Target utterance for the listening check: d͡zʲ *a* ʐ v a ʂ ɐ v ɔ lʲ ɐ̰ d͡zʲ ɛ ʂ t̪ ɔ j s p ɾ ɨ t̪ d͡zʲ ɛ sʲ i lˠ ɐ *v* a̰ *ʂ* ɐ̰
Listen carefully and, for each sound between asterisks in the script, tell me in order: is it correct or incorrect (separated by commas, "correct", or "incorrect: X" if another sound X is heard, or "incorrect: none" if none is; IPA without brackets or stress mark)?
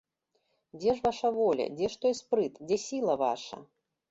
incorrect: ɛ, correct, correct